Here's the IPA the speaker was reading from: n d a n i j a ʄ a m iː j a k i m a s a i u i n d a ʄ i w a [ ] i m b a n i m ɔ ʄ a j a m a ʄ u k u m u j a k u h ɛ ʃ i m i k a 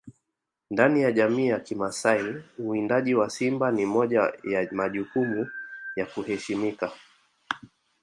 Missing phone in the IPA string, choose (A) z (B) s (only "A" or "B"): B